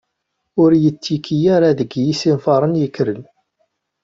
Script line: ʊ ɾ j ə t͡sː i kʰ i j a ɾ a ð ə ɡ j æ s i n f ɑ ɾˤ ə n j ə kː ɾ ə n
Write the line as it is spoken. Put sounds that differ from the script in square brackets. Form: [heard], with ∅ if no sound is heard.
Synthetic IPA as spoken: ʊ ɾ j ə t͡sː i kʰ i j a ɾ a ð ə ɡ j [i] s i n f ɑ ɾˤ ə n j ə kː ɾ ə n